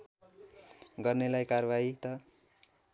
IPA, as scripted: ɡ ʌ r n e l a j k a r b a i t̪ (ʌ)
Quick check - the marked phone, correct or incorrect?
correct